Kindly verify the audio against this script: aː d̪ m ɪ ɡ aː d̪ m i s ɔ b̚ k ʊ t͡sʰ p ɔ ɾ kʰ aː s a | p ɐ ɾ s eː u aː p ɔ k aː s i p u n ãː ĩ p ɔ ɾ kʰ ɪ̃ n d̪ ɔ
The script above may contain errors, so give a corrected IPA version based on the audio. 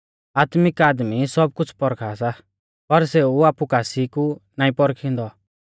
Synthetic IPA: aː t̪ m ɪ k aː d̪ m i s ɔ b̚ k ʊ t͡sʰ p ɔ ɾ kʰ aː s a | p ɐ ɾ s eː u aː p u k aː s i k u n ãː ĩ p ɔ ɾ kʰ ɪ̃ n d̪ ɔ

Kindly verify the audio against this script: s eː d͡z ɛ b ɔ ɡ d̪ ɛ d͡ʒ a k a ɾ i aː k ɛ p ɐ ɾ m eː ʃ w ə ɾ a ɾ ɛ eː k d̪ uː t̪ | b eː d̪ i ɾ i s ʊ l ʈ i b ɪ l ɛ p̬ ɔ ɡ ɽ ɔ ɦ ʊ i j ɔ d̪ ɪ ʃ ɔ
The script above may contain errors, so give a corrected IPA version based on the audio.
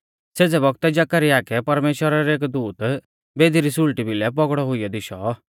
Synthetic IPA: s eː d͡z ɛ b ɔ ɡ t̪ ɛ d͡ʒ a k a ɾ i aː k ɛ p ɐ ɾ m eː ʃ w ə ɾ a ɾ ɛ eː k d̪ uː t̪ | b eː d̪ i ɾ i s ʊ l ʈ i b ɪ l ɛ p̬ ɔ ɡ ɽ ɔ ɦ ʊ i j ɔ d̪ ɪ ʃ ɔ

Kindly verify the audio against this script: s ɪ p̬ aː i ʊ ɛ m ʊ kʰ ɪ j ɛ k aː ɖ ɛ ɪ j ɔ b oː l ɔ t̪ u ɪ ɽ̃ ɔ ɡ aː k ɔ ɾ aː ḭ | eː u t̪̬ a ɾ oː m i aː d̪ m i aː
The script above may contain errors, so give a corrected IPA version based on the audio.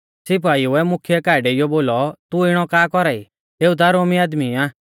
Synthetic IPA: s ɪ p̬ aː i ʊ ɛ m ʊ kʰ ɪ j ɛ k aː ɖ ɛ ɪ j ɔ b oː l ɔ t̪ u ɪ ɽ̃ ɔ k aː k ɔ ɾ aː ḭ | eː u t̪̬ a ɾ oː m i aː d̪ m i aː

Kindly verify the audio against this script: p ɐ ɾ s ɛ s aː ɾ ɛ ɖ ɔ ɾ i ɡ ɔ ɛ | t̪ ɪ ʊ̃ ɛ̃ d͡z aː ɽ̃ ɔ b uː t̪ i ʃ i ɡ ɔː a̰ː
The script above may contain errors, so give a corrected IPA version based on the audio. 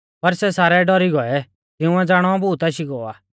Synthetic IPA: p ɐ ɾ s ɛ s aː ɾ ɛ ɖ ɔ ɾ i ɡ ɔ ɛ | t̪ ɪ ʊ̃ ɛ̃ d͡z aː ɽ̃ ɔ b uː t̪ a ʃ i ɡ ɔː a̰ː

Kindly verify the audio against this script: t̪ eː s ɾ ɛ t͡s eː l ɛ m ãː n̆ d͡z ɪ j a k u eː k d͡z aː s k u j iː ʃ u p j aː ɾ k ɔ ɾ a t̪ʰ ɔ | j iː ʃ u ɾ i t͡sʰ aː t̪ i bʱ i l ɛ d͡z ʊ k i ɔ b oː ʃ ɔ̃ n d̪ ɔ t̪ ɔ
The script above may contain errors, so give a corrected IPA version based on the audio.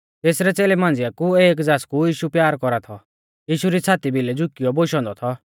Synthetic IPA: t̪ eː s ɾ ɛ t͡s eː l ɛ m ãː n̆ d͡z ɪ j a k u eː k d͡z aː s k u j iː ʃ u p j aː ɾ k ɔ ɾ a t̪ʰ ɔ | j iː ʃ u ɾ i t͡sʰ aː t̪ i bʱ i l ɛ d͡z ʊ k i ɔ b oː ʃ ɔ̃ n d̪ ɔ t̪ʰ ɔ

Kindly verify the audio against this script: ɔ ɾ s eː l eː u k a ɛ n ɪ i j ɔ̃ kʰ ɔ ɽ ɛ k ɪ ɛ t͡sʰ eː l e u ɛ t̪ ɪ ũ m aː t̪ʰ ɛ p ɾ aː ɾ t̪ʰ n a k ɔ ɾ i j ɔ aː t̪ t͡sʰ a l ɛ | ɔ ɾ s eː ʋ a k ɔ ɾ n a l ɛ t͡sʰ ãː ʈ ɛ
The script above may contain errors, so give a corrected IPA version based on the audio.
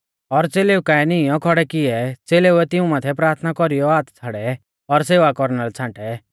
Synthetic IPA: ɔ ɾ t͡s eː l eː u k a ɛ n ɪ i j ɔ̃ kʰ ɔ ɽ ɛ k ɪ ɛ t͡s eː l e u ɛ t̪ ɪ ũ m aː t̪ʰ ɛ p ɾ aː ɾ t̪ʰ n a k ɔ ɾ i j ɔ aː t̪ t͡sʰ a ɽ ɛ | ɔ ɾ s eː ʋ a k ɔ ɾ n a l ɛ t͡sʰ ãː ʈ ɛ

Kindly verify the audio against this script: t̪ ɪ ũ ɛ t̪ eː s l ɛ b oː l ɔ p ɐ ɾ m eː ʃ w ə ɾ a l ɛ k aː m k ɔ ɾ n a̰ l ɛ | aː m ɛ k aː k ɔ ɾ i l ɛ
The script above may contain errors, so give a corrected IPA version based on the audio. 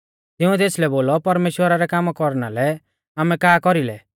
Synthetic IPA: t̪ ɪ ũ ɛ t̪ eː s l ɛ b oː l ɔ p ɐ ɾ m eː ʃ w ə ɾ a ɾ ɛ k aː m k ɔ ɾ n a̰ l ɛ | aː m ɛ k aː k ɔ ɾ i l ɛ

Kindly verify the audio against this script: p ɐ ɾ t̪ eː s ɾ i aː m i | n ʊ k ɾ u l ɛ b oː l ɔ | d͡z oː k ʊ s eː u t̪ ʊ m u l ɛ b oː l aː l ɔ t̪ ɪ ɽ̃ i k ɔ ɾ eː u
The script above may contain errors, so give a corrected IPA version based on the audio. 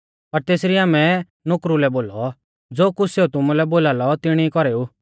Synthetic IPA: p ɐ ɾ t̪ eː s ɾ i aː m ɛ | n ʊ k ɾ u l ɛ b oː l ɔ | d͡z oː k ʊ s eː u t̪ ʊ m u l ɛ b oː l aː l ɔ t̪ ɪ ɽ̃ i k ɔ ɾ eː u

